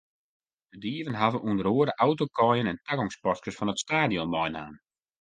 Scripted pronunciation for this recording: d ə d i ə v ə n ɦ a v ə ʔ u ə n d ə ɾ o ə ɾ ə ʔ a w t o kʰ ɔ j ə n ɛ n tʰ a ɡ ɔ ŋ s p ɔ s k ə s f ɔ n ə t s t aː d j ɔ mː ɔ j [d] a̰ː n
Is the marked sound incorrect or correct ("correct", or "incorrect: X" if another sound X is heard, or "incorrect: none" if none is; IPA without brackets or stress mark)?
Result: incorrect: n